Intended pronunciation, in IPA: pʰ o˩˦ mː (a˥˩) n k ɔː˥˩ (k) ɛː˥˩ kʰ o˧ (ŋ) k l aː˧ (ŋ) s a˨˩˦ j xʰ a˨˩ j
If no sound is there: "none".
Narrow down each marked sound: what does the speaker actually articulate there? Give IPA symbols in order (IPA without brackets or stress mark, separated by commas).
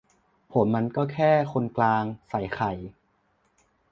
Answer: a˧, kʰ, n, ŋ